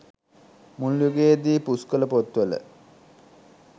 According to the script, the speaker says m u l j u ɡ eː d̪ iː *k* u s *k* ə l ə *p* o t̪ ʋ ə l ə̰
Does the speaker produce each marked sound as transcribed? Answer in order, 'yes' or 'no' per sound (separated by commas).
no, yes, yes